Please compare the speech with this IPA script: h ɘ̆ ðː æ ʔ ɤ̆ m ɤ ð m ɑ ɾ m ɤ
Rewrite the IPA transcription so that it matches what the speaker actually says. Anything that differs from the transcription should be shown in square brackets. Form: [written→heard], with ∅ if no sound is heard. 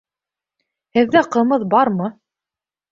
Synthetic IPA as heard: h ɘ̆ ðː æ [ʔ→q] ɤ̆ m ɤ ð [m→b] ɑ ɾ m ɤ